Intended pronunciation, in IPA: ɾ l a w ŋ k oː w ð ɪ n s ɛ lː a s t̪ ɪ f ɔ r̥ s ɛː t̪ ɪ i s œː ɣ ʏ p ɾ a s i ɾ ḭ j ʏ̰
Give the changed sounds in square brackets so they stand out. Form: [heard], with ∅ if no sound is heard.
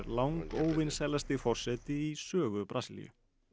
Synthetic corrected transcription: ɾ l a w ŋ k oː w [v] ɪ n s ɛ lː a s t̪ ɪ f ɔ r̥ s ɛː t̪ ɪ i s œː ɣ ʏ p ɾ a s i [l] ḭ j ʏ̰